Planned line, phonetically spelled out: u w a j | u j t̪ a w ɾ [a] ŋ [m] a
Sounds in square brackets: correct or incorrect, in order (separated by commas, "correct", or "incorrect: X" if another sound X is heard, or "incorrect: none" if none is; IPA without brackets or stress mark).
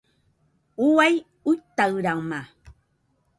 correct, correct